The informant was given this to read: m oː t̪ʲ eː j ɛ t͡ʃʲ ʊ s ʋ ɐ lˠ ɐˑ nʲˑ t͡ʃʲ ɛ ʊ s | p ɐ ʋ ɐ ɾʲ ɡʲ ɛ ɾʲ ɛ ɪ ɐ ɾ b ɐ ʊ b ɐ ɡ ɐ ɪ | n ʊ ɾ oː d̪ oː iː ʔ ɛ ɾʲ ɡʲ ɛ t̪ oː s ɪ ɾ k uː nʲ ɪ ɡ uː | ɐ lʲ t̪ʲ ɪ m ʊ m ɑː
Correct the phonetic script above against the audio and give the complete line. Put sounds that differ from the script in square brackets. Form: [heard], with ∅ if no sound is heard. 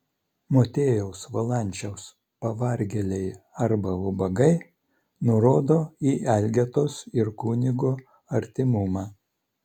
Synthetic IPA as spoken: m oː t̪ʲ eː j ɛ [∅] ʊ s ʋ ɐ lˠ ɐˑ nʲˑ t͡ʃʲ ɛ ʊ s | p ɐ ʋ ɐ ɾʲ ɡʲ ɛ [lʲ] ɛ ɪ ɐ ɾ b ɐ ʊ b ɐ ɡ ɐ ɪ | n ʊ ɾ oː d̪ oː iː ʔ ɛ [lʲ] ɡʲ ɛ t̪ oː s ɪ ɾ k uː nʲ ɪ ɡ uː | ɐ [ɾʲ] t̪ʲ ɪ m ʊ m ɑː